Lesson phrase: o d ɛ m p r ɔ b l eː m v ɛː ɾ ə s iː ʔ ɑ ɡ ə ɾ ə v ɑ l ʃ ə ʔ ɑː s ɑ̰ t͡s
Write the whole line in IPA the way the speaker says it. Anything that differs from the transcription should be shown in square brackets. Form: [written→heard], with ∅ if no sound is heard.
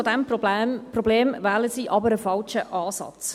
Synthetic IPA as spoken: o d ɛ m p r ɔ b l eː m v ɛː [ɾ→l] ə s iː ʔ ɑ [ɡ→b] ə ɾ ə [v→f] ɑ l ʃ ə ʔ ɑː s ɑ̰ t͡s

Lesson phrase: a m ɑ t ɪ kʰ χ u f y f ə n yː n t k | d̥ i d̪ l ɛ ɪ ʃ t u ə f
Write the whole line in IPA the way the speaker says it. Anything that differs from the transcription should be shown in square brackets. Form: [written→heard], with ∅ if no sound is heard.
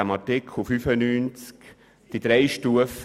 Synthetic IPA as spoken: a m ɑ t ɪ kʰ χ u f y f ə n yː n [t→t͡s] k | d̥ i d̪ [l→ɾ] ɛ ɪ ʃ t u ə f

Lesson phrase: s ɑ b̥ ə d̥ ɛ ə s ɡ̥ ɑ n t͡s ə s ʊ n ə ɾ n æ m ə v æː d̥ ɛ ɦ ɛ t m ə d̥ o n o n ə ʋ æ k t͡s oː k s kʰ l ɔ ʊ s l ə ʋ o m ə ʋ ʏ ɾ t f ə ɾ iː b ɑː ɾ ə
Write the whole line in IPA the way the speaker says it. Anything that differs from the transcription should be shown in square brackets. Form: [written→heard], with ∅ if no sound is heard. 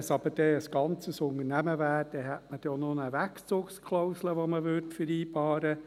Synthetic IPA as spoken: s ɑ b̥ ə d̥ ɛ ə s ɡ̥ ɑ n t͡s ə s ʊ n ə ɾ n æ m ə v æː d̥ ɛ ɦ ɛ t m ə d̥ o n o n ə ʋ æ k t͡s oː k s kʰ l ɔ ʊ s l ə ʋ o m ə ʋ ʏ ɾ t f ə ɾ iː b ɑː ɾ ə

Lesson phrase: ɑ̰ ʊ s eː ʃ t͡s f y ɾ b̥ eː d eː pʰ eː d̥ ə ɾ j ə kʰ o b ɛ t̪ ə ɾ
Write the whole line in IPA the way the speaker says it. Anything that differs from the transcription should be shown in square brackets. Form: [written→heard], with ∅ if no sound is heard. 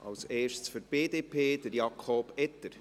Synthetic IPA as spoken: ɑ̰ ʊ s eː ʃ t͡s f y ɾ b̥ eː d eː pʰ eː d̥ ə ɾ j [ə→ɑ] kʰ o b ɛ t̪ ə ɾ

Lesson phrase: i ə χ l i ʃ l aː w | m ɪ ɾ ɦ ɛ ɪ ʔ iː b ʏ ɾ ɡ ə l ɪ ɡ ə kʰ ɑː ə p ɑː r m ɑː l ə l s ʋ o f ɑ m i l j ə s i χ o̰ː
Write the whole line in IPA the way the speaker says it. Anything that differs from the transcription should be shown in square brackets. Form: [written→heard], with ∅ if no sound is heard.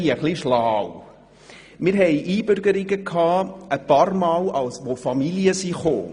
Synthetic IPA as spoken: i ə χ l i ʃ l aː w | m ɪ ɾ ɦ ɛ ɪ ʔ iː b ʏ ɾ ɡ ə [l→ɾ] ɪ ɡ ə kʰ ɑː ə p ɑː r m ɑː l [ə→ɑ] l s ʋ o f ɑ m i l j ə s i χ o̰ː

